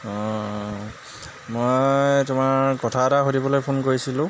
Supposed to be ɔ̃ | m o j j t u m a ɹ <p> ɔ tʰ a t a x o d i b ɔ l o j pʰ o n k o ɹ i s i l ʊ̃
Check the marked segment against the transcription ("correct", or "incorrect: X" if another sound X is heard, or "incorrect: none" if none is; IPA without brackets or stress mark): incorrect: k